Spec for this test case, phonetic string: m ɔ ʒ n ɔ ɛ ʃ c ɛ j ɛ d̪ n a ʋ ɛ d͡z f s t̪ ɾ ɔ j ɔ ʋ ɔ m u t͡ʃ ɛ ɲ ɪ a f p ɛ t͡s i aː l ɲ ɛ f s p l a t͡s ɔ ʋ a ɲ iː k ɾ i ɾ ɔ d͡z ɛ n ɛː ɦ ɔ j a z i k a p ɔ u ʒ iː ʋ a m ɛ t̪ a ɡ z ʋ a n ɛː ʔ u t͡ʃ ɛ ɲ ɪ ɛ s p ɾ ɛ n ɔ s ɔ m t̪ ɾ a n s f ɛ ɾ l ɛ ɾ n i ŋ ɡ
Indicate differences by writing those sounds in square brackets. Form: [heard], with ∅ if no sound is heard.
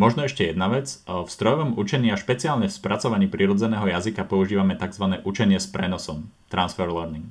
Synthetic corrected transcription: m ɔ ʒ n ɔ ɛ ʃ c ɛ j ɛ d̪ n a ʋ ɛ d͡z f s t̪ ɾ ɔ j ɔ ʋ ɔ m u t͡ʃ ɛ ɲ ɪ a [ʃ] p ɛ t͡s i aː l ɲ ɛ f s p [ɾ] a t͡s ɔ ʋ a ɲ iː [p] ɾ i ɾ ɔ d͡z ɛ n ɛː ɦ ɔ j a z i k a p ɔ u ʒ iː ʋ a m ɛ t̪ a ɡ z ʋ a n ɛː ʔ u t͡ʃ ɛ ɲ ɪ ɛ s p ɾ ɛ n ɔ s ɔ m t̪ ɾ a n s f ɛ ɾ l ɛ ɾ n i ŋ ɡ